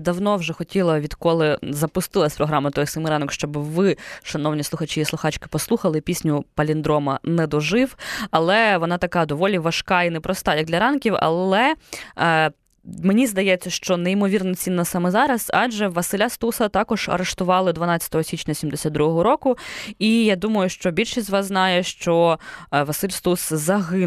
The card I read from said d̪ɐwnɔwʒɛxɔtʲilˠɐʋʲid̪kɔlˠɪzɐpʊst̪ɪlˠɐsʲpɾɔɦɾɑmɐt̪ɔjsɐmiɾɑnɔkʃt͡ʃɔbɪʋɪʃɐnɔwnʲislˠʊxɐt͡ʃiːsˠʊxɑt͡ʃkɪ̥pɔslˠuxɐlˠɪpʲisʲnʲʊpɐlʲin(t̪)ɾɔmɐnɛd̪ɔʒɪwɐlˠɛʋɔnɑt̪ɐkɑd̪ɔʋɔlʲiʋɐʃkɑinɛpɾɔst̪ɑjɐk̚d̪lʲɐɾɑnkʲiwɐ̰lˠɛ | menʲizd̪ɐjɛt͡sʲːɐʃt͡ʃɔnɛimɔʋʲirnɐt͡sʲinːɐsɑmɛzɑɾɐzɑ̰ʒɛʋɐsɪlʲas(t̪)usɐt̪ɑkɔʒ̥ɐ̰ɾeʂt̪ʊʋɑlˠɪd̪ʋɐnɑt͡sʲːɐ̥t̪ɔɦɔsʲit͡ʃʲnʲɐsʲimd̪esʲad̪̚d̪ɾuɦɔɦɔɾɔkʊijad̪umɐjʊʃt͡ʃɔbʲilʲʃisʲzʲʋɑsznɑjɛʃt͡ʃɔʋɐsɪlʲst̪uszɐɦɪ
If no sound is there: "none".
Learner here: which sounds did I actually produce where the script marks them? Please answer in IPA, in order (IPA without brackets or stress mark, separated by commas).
d̪, t̪